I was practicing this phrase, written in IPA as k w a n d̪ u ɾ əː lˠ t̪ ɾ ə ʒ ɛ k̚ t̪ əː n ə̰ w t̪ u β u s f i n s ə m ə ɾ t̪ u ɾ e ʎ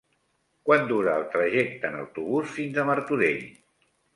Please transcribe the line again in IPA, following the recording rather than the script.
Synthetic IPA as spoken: k w a n d̪ u ɾ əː lˠ t̪ ɾ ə ʒ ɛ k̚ t̪ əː n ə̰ w t̪ u β u s f i n z ə m ə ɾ t̪ u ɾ e ʎ